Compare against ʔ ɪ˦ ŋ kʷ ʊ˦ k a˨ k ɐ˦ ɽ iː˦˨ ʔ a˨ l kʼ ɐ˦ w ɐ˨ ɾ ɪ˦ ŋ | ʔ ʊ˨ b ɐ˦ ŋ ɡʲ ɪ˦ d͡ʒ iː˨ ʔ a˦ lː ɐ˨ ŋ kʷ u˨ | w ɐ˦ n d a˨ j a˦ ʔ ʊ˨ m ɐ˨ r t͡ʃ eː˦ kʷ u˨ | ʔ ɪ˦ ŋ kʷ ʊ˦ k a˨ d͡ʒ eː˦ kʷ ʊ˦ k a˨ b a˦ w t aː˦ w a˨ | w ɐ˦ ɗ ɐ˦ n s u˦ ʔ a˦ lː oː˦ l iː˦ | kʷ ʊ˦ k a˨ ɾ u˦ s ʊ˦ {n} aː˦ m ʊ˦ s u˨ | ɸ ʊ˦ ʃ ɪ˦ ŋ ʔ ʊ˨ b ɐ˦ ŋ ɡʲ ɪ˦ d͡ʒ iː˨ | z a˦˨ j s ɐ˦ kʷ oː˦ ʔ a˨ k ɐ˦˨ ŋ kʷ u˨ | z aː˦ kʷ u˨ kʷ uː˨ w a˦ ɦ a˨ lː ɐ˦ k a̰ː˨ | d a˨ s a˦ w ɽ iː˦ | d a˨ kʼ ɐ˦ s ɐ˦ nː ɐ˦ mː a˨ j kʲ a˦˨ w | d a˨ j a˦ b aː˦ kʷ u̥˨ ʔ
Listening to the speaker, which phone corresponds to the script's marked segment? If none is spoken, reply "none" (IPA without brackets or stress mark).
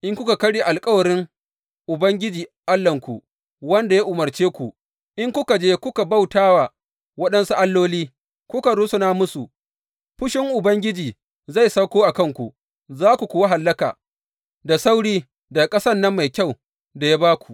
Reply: n